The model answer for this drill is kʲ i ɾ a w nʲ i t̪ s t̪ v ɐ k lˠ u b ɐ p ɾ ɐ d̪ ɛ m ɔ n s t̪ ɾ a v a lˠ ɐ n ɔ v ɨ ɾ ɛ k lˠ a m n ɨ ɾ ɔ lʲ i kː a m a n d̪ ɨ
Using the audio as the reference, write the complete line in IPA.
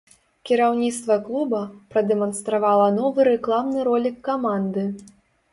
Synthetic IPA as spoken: kʲ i ɾ a w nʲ i t̪ s t̪ v ɐ k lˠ u b ɐ p ɾ ɐ d̪ ɛ m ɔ n s t̪ ɾ a v a lˠ ɐ n ɔ v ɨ ɾ ɛ k lˠ a m n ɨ ɾ ɔ lʲ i kː a m a n d̪ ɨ